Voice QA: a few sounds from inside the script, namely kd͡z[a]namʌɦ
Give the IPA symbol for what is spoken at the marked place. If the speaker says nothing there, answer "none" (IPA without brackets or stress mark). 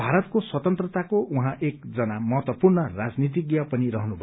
ʌ